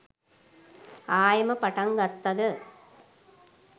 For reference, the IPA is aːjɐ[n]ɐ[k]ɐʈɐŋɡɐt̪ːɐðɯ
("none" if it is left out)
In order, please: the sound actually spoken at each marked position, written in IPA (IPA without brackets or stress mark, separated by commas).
m, p